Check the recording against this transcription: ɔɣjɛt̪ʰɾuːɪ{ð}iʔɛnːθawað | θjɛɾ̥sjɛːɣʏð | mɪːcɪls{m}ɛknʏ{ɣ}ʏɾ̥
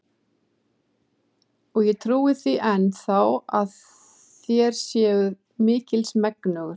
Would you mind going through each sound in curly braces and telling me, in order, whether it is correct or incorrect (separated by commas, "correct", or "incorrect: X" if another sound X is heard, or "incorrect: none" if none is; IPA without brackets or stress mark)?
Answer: incorrect: θ, correct, correct